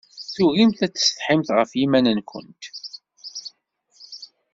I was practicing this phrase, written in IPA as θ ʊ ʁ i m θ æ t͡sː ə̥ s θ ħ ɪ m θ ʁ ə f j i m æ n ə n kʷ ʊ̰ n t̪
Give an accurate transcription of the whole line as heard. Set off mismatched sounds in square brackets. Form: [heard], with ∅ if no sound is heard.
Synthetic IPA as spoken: θ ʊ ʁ i m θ æ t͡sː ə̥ s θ ħ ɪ m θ ʁ ə f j i m æ n ə n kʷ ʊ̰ n t̪

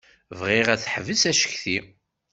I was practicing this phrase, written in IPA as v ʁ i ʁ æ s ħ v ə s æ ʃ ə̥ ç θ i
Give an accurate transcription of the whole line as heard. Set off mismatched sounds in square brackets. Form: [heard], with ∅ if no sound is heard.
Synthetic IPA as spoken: v ʁ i ʁ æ [θ] ħ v ə s æ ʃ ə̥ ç θ i

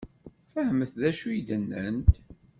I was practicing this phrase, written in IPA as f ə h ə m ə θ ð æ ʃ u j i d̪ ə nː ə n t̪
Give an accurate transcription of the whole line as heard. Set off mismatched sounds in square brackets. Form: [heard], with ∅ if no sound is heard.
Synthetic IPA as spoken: f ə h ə m ə θ ð æ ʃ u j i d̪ ə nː ə n t̪

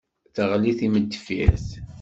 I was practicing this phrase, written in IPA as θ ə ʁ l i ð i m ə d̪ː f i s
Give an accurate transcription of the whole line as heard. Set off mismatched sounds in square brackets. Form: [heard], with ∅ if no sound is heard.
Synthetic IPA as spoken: θ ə ʁ l i [θ] i m ə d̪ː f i [θ]

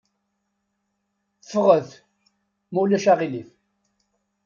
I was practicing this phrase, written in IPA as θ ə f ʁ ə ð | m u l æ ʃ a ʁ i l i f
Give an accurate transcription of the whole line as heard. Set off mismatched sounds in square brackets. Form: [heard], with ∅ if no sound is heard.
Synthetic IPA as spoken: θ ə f ʁ ə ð | m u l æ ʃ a ʁ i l i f

